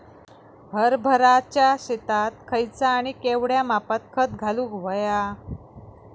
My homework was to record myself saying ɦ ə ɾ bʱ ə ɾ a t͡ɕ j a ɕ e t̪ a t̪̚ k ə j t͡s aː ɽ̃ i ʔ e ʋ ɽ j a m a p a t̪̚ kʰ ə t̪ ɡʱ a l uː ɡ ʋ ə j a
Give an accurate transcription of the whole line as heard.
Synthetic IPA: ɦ ə ɾ bʱ ə ɾ a t͡ɕ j a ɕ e t̪ a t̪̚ kʰ ə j t͡s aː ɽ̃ i k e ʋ ɽ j a m a p a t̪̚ kʰ ə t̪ ɡʱ a l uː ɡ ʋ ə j a